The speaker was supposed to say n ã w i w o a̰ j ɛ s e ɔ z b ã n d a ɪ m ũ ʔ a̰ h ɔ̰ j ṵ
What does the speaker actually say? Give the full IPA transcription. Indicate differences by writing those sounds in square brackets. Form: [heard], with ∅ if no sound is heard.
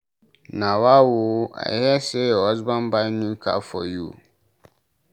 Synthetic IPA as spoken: n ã w [a] w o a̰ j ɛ s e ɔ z b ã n [b] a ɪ [n] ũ [k] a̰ [f] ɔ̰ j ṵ